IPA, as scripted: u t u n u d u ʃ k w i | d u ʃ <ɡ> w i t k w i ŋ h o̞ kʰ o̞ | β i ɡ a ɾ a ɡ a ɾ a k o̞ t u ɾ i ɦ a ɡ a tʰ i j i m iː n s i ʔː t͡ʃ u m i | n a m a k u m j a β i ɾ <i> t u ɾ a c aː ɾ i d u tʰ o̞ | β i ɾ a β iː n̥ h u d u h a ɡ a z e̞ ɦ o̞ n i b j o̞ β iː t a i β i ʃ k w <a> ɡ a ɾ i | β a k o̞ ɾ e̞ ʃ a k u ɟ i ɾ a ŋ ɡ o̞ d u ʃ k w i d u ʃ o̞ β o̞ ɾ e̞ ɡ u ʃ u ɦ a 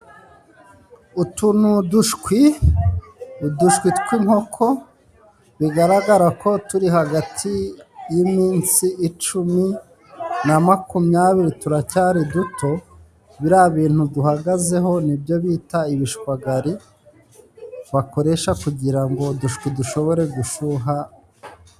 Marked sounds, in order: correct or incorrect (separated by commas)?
incorrect, correct, correct